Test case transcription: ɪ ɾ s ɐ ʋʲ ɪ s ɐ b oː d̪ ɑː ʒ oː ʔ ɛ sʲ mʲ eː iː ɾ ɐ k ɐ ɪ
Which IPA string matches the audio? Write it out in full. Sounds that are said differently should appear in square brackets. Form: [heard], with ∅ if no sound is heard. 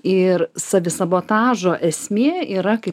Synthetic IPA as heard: ɪ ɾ s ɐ ʋʲ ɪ s ɐ b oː [t̪] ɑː ʒ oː ʔ ɛ sʲ mʲ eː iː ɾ ɐ k ɐ ɪ